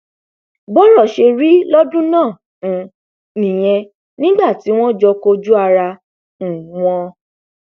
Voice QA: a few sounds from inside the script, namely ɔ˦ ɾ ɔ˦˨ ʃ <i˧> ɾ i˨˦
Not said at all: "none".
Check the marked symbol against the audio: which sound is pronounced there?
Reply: e˧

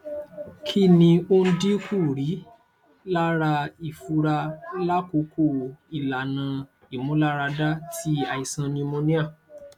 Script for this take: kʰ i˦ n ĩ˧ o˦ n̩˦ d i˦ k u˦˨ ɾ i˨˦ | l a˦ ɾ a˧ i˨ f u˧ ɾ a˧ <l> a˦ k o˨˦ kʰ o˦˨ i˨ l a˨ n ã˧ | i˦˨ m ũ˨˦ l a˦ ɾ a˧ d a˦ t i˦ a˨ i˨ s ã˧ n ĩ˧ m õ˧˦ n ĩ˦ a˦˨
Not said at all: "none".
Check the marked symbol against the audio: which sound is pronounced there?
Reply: l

